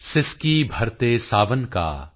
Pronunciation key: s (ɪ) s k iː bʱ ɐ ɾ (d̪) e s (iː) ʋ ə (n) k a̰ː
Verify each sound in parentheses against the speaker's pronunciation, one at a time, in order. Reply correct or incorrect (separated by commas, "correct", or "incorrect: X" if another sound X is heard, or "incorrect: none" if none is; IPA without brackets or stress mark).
correct, incorrect: t̪, incorrect: aː, correct